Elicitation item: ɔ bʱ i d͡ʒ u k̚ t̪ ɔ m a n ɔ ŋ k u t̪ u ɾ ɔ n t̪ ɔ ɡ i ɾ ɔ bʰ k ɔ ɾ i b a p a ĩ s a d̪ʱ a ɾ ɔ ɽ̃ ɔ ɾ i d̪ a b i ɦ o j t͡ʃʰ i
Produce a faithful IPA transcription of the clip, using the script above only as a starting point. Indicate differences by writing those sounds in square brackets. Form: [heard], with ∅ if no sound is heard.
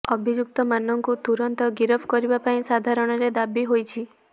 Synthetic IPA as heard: ɔ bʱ i d͡ʒ u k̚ t̪ ɔ m a n ɔ ŋ k u t̪ u ɾ ɔ n t̪ ɔ ɡ i ɾ ɔ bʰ k ɔ ɾ i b a p a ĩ s a d̪ʱ a ɾ ɔ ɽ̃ ɔ ɾ [e] d̪ a b i ɦ o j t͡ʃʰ i